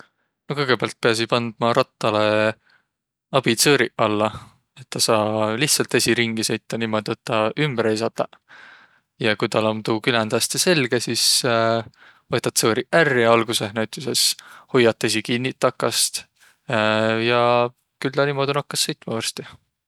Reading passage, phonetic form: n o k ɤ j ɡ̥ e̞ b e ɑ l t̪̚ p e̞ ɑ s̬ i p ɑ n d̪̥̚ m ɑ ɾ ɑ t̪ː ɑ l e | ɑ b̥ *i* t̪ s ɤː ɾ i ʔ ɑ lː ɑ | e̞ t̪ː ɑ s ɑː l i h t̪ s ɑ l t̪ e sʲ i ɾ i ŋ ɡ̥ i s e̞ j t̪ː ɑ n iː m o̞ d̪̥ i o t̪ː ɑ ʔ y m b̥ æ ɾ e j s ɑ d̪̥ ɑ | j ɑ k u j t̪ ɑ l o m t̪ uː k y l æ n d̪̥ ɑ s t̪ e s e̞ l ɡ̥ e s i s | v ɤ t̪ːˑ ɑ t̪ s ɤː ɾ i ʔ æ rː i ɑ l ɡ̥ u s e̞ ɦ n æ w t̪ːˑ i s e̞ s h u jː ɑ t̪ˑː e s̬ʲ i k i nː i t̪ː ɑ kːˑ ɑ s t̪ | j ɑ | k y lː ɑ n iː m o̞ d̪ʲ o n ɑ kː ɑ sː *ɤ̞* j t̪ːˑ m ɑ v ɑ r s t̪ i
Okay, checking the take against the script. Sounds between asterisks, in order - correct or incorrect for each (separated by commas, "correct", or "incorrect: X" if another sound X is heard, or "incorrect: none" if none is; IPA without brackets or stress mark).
correct, correct